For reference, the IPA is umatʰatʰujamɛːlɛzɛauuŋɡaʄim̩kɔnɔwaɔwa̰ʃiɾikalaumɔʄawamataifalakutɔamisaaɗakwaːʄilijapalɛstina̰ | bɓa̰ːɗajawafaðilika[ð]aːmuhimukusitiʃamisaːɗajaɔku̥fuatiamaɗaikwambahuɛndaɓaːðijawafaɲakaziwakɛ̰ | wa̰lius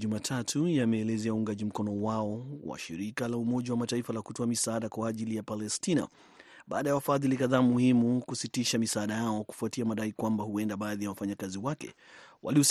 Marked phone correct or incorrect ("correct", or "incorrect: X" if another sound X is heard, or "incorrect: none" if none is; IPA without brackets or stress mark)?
correct